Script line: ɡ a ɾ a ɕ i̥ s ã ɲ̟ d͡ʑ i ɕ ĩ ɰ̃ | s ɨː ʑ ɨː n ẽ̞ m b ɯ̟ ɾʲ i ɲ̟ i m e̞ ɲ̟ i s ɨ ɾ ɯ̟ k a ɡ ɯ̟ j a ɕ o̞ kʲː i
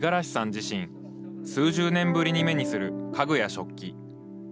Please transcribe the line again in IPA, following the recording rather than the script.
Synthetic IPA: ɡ a ɾ a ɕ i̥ s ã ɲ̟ d͡ʑ i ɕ ĩ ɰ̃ | s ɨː ʑ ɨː n ẽ̞ m b ɯ̟ ɾʲ i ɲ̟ i m e̞ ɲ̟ i s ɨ ɾ ɯ̟ k a ɡ ɯ̟ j a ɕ o̞ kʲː i